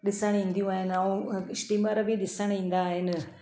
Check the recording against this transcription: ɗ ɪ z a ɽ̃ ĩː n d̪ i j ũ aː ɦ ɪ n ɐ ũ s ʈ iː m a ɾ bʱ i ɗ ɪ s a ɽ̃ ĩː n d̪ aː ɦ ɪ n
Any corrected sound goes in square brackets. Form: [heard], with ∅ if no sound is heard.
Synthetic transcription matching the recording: ɗ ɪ [s] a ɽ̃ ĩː n d̪ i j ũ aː ɦ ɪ n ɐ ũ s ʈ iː m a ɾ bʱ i ɗ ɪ s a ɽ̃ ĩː n d̪ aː ɦ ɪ n